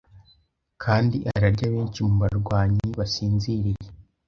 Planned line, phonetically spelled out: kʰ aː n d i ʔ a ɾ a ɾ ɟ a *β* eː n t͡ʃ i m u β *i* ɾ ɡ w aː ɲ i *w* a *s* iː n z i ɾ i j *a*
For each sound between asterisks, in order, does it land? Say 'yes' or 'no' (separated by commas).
yes, no, no, yes, no